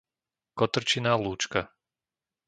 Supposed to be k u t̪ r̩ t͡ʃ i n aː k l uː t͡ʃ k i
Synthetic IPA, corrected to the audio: k ɔ t̪ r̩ t͡ʃ i n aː l uː t͡ʃ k a